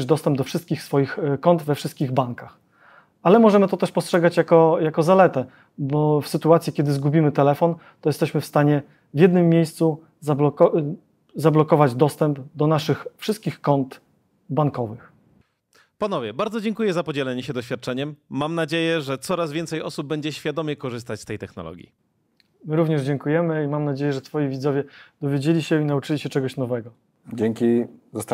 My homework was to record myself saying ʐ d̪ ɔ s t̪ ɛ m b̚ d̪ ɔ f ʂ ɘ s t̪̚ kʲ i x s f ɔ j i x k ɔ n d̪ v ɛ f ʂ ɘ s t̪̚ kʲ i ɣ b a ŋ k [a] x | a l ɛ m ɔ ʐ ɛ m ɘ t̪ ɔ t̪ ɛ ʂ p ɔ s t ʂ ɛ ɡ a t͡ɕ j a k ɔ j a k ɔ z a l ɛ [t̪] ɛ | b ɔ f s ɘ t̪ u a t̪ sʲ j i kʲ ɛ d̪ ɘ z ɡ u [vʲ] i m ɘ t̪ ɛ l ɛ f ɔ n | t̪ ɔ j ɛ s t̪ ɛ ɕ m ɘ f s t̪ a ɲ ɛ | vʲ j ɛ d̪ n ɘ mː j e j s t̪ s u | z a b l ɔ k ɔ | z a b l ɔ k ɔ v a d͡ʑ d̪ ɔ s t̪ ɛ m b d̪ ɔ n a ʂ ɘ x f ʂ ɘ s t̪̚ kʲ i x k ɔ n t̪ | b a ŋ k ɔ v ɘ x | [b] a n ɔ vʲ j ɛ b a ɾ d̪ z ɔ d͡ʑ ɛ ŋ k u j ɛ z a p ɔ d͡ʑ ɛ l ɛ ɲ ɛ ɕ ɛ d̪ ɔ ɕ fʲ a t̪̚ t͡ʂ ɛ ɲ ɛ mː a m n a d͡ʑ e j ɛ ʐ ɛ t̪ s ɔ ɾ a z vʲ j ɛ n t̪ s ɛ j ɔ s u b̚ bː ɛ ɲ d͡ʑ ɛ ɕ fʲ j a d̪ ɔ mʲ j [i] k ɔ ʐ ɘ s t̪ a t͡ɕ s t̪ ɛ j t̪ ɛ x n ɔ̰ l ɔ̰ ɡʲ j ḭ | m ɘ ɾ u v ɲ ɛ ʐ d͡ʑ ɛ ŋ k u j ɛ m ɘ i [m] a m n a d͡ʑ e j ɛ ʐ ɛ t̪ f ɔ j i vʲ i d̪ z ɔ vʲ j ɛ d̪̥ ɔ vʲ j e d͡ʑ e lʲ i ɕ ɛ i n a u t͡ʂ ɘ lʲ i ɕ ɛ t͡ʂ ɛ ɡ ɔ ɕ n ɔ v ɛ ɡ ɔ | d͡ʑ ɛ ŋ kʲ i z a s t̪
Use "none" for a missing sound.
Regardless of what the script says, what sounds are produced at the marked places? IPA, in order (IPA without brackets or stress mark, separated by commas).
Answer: a, t̪, bʲ, p, ɛ, m